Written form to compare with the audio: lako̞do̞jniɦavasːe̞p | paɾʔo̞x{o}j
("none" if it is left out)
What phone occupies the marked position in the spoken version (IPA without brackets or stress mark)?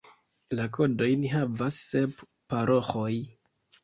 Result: o